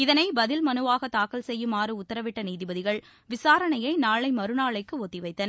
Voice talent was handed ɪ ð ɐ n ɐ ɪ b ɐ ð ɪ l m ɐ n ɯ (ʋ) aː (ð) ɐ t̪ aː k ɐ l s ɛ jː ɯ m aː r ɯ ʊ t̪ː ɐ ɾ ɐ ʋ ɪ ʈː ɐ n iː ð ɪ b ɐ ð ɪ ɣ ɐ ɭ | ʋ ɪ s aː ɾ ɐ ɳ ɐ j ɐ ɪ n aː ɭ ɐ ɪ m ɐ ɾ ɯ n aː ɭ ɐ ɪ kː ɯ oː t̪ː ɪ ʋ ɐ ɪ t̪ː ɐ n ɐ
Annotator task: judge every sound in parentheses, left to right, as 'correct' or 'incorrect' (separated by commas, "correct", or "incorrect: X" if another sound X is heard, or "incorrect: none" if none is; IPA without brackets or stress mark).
correct, incorrect: ɣ